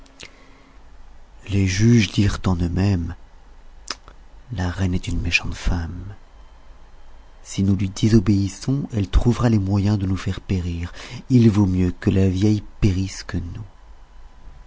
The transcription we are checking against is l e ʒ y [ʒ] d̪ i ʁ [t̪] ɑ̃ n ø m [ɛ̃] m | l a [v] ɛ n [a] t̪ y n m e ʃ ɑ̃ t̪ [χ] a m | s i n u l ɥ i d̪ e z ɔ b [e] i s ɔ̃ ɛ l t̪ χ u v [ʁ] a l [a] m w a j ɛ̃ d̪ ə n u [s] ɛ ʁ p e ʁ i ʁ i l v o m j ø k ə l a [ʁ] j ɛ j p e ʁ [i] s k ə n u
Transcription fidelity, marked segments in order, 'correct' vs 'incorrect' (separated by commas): correct, correct, incorrect, incorrect, incorrect, incorrect, correct, correct, incorrect, incorrect, incorrect, correct